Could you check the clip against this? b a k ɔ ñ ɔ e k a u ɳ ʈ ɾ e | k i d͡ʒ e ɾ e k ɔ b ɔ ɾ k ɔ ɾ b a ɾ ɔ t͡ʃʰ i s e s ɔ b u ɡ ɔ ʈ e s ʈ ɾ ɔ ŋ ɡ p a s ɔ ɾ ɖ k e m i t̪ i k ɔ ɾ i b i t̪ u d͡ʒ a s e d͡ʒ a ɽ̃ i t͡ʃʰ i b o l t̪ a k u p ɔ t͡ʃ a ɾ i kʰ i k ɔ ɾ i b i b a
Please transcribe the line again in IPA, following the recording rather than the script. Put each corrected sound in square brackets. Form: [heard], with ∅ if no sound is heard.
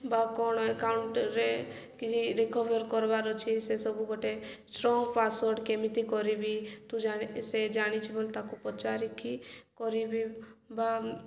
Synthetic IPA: b a k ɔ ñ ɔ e k a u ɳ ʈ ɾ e | k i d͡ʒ [i] ɾ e k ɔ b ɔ ɾ k ɔ ɾ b a ɾ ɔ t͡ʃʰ i s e s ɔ b u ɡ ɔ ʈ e s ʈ ɾ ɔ ŋ ɡ p a s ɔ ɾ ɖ k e m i t̪ i k ɔ ɾ i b i t̪ u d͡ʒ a s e d͡ʒ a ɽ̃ i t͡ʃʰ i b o l t̪ a k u p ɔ t͡ʃ a ɾ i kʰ i k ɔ ɾ i b i b a